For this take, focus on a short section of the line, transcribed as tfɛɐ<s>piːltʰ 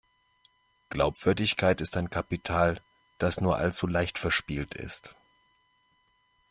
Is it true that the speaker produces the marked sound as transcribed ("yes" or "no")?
no